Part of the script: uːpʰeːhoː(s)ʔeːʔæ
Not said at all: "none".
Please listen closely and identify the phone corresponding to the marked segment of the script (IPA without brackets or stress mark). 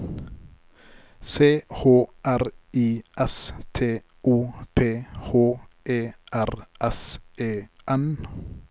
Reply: none